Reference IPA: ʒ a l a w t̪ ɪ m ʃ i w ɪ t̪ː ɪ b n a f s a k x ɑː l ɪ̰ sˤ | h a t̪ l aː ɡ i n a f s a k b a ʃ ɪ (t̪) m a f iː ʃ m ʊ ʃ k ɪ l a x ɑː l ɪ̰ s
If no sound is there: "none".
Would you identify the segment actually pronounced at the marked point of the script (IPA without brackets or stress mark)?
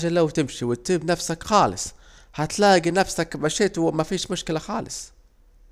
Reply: t̪